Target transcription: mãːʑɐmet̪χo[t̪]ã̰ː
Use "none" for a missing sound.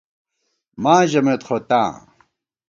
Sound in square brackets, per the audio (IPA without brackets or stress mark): t̪